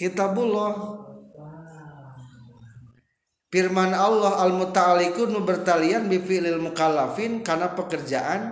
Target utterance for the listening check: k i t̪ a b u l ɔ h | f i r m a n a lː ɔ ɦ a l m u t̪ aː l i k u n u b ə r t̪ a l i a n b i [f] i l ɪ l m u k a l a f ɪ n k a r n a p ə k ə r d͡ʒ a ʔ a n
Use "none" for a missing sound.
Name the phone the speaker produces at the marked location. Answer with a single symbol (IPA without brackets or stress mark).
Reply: f